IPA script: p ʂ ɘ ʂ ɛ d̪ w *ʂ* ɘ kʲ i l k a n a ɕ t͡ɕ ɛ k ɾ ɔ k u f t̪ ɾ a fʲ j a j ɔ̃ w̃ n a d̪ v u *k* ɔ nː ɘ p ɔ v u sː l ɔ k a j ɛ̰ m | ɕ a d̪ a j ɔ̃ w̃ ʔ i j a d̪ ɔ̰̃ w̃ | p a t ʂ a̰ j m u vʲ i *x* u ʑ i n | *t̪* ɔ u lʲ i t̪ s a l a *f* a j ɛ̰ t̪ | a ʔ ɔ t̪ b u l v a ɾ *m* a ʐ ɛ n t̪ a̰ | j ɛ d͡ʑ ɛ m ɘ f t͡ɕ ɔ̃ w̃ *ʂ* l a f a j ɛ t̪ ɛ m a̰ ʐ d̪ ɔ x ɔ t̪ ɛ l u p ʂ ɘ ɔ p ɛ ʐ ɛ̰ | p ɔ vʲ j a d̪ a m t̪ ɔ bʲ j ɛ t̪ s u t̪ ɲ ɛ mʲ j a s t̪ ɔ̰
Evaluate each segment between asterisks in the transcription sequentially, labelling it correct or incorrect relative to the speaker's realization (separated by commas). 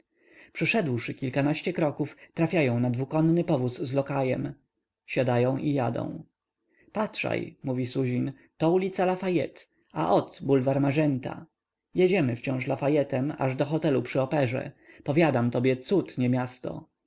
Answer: correct, correct, incorrect, correct, correct, correct, correct